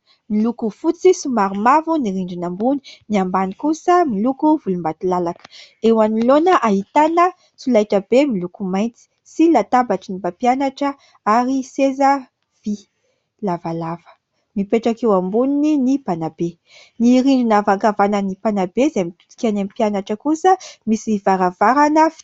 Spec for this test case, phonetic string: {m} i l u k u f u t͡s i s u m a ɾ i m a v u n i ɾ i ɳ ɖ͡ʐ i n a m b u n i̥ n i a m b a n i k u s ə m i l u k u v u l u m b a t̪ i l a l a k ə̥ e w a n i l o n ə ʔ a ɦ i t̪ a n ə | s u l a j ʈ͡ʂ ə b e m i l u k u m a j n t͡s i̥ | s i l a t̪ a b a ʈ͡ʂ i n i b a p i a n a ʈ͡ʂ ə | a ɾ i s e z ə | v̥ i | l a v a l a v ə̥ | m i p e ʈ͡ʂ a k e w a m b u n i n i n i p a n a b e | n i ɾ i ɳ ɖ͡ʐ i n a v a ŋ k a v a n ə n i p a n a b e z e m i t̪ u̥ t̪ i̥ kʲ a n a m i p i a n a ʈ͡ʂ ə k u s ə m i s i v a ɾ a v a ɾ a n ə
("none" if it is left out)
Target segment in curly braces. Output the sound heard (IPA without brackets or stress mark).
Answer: m